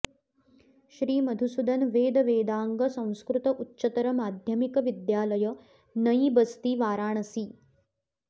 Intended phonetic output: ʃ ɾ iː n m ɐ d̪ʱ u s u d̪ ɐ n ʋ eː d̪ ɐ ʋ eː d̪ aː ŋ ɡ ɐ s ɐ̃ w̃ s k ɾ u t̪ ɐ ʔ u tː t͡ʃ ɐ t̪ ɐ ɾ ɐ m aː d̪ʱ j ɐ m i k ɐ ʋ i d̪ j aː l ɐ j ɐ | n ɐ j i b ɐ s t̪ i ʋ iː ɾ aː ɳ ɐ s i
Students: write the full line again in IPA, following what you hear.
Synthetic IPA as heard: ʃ ɾ iː m ɐ d̪ʱ u s u d̪ ɐ n ʋ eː d̪ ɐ ʋ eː d̪ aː ŋ ɡ ɐ s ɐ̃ w̃ s k ɾ u t̪ ɐ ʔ u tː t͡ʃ ɐ t̪ ɐ ɾ ɐ m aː d̪ʱ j ɐ m i k ɐ ʋ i d̪ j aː l ɐ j ɐ | n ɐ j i b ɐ s t̪ i ʋ aː ɾ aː ɳ ɐ s i